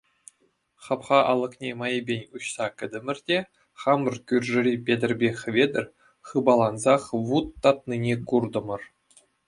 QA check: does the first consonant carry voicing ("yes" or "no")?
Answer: no